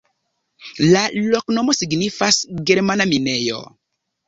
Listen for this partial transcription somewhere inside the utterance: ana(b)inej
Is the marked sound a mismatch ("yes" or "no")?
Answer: yes